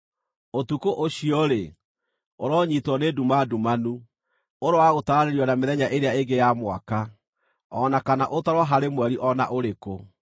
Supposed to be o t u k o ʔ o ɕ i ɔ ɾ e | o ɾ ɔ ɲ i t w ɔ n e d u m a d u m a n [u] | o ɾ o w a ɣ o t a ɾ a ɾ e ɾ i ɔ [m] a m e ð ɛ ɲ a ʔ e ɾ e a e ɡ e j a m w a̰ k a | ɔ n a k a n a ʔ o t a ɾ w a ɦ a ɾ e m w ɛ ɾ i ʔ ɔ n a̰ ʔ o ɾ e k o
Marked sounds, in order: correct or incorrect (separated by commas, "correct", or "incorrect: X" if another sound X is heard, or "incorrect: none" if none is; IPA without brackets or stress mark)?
correct, incorrect: n